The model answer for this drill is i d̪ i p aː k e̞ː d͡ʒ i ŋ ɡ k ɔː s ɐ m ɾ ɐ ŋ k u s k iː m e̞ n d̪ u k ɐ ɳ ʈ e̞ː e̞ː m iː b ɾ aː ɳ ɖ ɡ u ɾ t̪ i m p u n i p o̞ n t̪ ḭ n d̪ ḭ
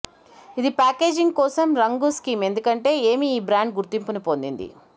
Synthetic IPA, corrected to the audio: i d̪ i p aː k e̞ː d͡ʒ i ŋ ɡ k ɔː s ɐ m ɾ ɐ ŋ ɡ u s k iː m e̞ n d̪ u k ɐ ɳ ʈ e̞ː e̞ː m iː b ɾ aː ɳ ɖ ɡ u ɾ t̪ i m p u n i p o̞ n d̪ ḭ n d̪ ḭ

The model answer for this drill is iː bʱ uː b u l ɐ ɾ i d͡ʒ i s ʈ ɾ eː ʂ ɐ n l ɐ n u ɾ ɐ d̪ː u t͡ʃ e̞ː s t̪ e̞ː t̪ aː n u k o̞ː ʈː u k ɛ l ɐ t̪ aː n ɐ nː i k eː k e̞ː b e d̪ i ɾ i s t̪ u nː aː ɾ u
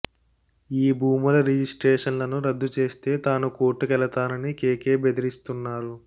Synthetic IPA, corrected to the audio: iː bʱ uː m u l ɐ ɾ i d͡ʒ i s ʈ ɾ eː ʂ ɐ n l ɐ n u ɾ ɐ d̪ː u t͡ʃ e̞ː s t̪ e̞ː t̪ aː n u k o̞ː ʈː u k ɛ l ɐ t̪ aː n ɐ n i k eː k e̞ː b e d̪ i ɾ i s t̪ u nː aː ɾ u

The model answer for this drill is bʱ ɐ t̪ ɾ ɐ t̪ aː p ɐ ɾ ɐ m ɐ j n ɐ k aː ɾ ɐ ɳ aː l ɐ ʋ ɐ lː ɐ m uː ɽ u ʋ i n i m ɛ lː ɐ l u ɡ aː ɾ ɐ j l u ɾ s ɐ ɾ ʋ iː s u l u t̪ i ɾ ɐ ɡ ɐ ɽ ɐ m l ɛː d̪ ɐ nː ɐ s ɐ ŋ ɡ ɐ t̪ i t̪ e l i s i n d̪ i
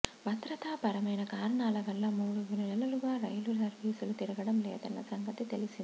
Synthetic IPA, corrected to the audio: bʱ ɐ t̪ ɾ ɐ t̪ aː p ɐ ɾ ɐ m ɐ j n ɐ k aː ɾ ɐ ɳ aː l ɐ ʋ ɐ lː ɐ m uː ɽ u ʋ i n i n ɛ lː ɐ l u ɡ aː ɾ ɐ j l u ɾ s ɐ ɾ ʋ iː s u l u t̪ i ɾ ɐ ɡ ɐ ɽ ɐ m l ɛː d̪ ɐ nː ɐ s ɐ ŋ ɡ ɐ t̪ i t̪ e l i s i n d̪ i

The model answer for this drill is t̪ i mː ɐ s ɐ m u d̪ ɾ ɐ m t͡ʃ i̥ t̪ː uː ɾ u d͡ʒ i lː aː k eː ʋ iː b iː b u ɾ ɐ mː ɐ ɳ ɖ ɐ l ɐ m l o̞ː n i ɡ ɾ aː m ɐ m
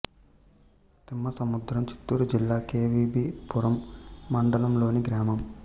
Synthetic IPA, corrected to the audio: t̪ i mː ɐ s ɐ m u d̪ ɾ ɐ m t͡ʃ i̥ t̪ː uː ɾ u d͡ʒ i lː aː k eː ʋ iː b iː p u ɾ ɐ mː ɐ ɳ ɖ ɐ l ɐ m l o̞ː n i ɡ ɾ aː m ɐ m

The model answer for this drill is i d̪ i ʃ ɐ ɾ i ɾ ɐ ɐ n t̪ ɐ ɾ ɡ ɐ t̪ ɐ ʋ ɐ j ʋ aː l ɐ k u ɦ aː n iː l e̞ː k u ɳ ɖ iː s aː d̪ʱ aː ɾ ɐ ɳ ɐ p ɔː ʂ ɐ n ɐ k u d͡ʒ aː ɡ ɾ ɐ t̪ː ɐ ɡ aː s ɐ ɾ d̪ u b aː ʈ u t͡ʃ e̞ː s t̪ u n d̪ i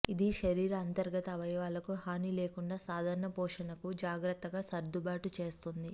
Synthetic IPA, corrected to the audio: i d̪ i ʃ ɐ ɾ iː ɾ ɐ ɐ n t̪ ɐ ɾ ɡ ɐ t̪ ɐ ʋ ɐ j ʋ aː l ɐ k u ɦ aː n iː l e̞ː k u ɳ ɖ aː s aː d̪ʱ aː ɾ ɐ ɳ ɐ p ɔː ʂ ɐ n ɐ k u d͡ʒ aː ɡ ɾ ɐ t̪ː ɐ ɡ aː s ɐ ɾ d̪ u b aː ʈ u t͡ʃ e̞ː s t̪ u n d̪ i

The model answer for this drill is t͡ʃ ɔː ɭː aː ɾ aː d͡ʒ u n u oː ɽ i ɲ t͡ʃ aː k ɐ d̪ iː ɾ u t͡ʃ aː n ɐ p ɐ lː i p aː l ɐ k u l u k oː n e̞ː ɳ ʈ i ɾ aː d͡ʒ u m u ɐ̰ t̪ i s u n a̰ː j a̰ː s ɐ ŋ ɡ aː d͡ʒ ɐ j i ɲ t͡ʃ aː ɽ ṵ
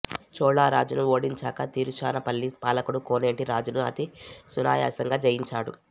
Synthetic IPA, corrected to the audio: t͡ʃ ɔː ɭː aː ɾ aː d͡ʒ u n u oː ɽ i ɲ t͡ʃ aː k ɐ t̪ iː ɾ u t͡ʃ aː n ɐ p ɐ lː i p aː l ɐ k u ɽ u k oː n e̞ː ɳ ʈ i ɾ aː d͡ʒ u n u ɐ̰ t̪ i s u n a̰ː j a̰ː s ɐ ŋ ɡ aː d͡ʒ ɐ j i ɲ t͡ʃ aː ɽ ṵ

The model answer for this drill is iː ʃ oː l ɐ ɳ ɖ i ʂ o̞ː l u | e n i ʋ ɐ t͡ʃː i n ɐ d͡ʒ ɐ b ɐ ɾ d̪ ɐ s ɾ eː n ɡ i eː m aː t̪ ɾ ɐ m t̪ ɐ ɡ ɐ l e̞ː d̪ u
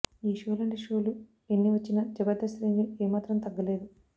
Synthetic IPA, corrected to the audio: iː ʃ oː l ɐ ɳ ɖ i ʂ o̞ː l u | e nː i ʋ ɐ t͡ʃː i n ɐ d͡ʒ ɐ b ɐ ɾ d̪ ɐ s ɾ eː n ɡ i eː m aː t̪ ɾ ɐ m t̪ ɐ ɡː ɐ l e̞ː d̪ u

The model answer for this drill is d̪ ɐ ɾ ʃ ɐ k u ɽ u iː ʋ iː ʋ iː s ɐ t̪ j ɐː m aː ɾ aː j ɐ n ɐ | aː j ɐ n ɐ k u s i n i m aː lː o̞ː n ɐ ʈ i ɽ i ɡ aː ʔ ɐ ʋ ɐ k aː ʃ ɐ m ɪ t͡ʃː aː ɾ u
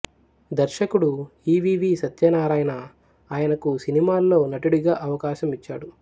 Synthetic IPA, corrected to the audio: d̪ ɐ ɾ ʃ ɐ k u ɽ u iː ʋ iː ʋ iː s ɐ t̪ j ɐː n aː ɾ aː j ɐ n ɐ | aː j ɐ n ɐ k u s i n i m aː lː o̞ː n ɐ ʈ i ɽ i ɡ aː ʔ ɐ ʋ ɐ k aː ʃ ɐ m i t͡ʃː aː ɽ u

